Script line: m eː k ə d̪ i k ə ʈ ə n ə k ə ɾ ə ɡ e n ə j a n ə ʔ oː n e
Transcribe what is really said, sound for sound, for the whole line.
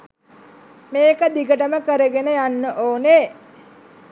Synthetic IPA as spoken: m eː k ə d̪ i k ə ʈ ə m ə k ə ɾ ə ɡ e n ə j a nː ə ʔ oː n e